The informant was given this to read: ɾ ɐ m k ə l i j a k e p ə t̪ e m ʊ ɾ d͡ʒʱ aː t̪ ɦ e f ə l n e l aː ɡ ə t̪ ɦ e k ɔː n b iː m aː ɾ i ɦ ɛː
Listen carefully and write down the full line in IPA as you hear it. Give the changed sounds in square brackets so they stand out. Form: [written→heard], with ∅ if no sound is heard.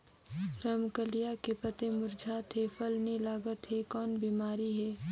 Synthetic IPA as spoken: ɾ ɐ m k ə l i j a k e p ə t̪ e m ʊ ɾ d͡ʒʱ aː t̪ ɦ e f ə l n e l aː ɡ ə t̪ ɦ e k ɔː n b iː m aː ɾ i ɦ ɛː